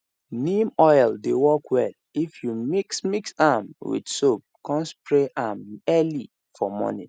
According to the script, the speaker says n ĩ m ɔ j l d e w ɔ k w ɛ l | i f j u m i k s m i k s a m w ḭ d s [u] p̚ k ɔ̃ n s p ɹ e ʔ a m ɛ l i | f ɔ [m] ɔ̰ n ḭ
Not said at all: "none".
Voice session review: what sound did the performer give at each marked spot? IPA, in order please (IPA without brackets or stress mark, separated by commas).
o, m